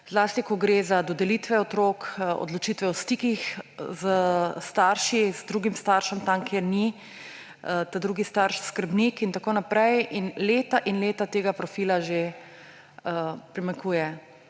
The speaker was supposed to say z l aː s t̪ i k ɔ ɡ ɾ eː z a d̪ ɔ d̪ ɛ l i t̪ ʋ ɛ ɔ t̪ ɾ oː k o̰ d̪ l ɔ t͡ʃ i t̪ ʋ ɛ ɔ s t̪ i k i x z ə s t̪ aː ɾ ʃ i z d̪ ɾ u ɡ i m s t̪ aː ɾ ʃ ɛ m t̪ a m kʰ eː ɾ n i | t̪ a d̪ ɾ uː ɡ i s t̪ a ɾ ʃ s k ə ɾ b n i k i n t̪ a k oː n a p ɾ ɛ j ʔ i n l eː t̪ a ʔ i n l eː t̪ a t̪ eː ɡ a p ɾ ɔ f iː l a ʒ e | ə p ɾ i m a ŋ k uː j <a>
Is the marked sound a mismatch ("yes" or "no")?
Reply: yes